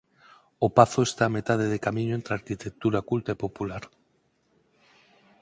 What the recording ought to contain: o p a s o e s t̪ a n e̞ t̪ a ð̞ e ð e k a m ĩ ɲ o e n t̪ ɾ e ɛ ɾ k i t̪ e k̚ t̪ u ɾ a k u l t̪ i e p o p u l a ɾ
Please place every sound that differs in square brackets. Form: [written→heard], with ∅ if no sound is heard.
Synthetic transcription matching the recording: o p a [s→θ] o e s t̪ a [n→m] e̞ t̪ a ð̞ e ð e k a m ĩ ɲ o e n t̪ ɾ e [ɛ→a] ɾ k i t̪ e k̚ t̪ u ɾ a k u l t̪ [i→a] e p o p u l a ɾ